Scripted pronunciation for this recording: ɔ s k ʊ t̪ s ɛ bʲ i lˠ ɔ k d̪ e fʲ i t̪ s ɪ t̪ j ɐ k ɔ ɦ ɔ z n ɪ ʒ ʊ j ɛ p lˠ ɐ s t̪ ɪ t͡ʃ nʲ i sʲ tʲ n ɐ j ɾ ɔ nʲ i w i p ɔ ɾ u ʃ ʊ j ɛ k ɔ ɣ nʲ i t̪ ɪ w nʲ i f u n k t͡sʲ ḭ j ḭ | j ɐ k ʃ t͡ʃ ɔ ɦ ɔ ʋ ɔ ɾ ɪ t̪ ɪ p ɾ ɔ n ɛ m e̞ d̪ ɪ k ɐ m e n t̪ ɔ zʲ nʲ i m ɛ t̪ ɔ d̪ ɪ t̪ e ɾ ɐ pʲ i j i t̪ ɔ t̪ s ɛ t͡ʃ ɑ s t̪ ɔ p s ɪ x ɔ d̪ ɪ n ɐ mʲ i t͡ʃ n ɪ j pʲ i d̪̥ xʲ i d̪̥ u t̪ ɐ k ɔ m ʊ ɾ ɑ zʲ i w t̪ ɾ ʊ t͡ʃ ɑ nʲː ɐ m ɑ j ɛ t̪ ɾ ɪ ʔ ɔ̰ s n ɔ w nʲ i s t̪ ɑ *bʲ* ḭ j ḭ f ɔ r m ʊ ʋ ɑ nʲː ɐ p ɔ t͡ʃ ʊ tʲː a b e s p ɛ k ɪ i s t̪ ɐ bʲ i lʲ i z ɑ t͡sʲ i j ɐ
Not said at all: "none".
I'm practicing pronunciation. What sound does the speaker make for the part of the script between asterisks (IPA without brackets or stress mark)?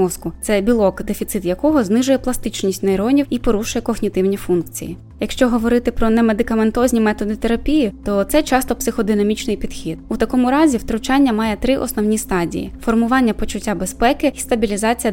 dʲ